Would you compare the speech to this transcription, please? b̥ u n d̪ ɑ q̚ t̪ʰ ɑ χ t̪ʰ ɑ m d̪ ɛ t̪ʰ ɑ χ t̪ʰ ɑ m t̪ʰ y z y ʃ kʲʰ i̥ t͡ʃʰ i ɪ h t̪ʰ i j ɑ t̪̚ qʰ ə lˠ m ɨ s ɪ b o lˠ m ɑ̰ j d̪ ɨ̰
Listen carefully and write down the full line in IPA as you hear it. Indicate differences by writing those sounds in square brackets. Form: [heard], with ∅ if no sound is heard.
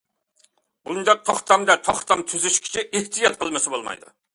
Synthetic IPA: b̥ u n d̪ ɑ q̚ t̪ʰ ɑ χ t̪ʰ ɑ m d̪ ɛ t̪ʰ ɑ χ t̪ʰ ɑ m t̪ʰ y z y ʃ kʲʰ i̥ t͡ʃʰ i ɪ h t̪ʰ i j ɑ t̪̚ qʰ ə lˠ m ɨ s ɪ b o lˠ m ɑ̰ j d̪ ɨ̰